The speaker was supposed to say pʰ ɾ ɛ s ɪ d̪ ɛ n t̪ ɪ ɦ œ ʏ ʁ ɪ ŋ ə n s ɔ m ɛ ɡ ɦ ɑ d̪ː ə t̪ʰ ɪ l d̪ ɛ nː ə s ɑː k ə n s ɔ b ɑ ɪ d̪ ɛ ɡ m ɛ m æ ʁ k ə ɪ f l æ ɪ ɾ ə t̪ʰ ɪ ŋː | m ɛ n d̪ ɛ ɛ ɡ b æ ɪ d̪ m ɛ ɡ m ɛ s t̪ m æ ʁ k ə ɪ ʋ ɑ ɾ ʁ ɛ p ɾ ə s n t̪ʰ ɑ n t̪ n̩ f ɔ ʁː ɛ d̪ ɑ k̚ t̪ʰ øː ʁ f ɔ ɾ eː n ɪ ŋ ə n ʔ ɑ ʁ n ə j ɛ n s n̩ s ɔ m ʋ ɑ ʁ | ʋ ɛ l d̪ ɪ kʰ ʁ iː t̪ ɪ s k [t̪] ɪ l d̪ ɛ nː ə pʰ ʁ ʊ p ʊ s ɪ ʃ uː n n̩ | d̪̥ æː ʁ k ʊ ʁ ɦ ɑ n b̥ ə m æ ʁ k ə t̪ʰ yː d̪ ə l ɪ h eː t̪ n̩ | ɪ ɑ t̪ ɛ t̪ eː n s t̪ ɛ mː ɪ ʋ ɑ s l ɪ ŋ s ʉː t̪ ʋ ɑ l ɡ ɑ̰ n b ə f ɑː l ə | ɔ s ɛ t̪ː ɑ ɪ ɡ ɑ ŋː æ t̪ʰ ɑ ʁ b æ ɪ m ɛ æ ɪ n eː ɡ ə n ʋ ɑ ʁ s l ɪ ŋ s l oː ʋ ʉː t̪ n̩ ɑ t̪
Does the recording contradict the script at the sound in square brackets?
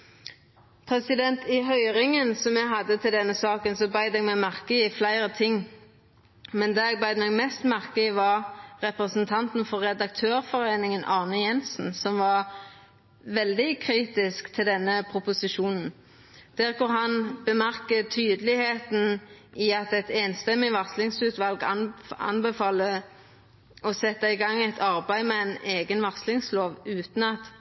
yes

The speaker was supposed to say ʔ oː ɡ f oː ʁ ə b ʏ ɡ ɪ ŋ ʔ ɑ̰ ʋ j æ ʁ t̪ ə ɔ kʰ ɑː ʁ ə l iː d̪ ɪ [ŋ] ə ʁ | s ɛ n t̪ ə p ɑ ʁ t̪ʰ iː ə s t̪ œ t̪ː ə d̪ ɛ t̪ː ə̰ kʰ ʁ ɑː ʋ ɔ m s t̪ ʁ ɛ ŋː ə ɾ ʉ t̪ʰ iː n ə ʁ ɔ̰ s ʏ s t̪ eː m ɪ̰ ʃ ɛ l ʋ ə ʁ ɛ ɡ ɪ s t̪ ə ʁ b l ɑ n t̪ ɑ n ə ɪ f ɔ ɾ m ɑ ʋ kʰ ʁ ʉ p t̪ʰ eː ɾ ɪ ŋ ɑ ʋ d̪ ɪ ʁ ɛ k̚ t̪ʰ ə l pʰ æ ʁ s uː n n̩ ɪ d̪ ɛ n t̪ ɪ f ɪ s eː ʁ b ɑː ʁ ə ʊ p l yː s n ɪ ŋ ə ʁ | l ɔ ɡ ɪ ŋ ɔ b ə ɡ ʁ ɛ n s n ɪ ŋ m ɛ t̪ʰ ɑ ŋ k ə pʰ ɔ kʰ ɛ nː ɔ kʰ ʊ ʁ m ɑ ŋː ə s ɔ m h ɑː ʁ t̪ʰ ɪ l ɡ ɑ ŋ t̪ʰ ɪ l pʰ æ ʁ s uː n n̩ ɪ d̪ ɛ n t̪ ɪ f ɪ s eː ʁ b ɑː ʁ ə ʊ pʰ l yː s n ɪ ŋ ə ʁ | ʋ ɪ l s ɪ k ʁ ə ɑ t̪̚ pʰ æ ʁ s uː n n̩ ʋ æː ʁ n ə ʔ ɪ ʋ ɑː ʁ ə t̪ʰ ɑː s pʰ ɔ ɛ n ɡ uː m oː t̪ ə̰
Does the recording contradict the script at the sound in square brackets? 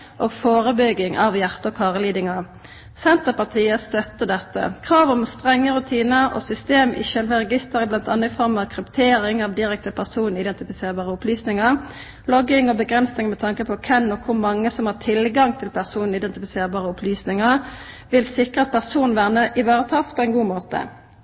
no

